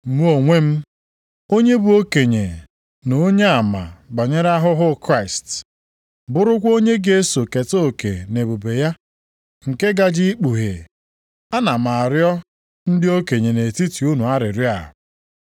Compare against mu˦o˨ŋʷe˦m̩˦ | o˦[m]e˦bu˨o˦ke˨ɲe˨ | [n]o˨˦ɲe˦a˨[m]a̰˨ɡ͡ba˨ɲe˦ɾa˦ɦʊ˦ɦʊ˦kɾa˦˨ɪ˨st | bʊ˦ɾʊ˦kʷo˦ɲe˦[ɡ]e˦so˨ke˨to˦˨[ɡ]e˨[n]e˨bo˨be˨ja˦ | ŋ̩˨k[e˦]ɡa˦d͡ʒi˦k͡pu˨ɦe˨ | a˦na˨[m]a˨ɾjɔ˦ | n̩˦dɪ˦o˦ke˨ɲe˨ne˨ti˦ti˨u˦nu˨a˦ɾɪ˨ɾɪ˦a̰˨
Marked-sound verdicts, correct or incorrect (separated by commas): incorrect, correct, correct, correct, incorrect, correct, correct, correct